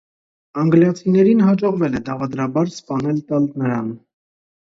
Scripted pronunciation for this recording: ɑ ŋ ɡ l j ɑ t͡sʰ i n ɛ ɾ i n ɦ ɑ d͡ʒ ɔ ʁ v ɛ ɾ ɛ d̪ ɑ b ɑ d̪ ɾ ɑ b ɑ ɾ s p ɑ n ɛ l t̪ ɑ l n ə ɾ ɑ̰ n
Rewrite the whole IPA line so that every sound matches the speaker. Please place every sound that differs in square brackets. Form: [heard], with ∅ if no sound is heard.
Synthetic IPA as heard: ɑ ŋ ɡ l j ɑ t͡sʰ i n ɛ ɾ i n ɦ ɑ d͡ʒ ɔ ʁ v ɛ [l] ɛ d̪ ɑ [v] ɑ d̪ ɾ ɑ b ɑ ɾ s p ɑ n ɛ l t̪ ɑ l n ə ɾ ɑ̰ n